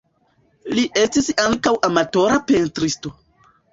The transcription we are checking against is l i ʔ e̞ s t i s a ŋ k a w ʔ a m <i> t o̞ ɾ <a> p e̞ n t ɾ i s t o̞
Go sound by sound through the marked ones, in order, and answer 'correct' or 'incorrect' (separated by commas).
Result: incorrect, correct